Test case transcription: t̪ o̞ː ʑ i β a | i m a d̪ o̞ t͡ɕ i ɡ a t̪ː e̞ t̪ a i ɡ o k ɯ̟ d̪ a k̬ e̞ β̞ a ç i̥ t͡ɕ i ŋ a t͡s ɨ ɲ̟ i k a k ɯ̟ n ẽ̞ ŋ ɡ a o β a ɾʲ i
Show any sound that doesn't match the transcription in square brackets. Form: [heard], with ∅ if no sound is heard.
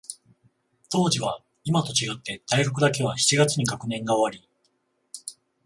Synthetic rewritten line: t̪ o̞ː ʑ i β a | i m a [t̪] o̞ t͡ɕ i ɡ a t̪ː e̞ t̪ a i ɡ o k ɯ̟ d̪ a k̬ e̞ β̞ a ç i̥ t͡ɕ i [ɡ] a t͡s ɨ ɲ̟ i k a k ɯ̟ n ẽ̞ ŋ ɡ a o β a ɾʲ i